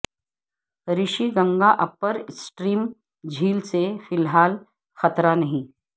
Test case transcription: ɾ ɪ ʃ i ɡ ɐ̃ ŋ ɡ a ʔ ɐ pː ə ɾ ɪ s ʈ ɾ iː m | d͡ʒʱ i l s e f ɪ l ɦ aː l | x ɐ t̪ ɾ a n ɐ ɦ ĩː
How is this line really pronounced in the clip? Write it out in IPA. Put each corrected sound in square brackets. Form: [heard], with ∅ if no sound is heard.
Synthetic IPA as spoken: ɾ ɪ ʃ i ɡ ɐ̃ ŋ ɡ a ʔ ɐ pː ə ɾ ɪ s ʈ ɾ iː m | d͡ʒʱ [iː] l s e f ɪ l ɦ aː l | x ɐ t̪ ɾ a n ɐ ɦ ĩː